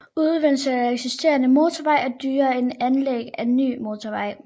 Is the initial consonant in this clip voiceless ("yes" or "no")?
no